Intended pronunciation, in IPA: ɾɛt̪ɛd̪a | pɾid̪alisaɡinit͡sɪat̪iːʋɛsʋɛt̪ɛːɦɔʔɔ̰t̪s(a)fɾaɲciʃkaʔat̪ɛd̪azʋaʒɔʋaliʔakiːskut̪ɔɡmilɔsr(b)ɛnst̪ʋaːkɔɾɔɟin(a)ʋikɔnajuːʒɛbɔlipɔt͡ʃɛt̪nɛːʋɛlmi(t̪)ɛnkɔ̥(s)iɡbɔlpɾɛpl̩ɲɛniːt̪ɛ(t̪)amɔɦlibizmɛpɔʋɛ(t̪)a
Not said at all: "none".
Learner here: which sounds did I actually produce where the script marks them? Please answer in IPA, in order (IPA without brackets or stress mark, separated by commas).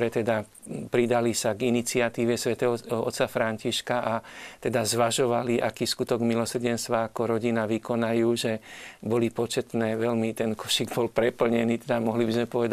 a, ɟ, a, t̪, ʃ, d̪, d̪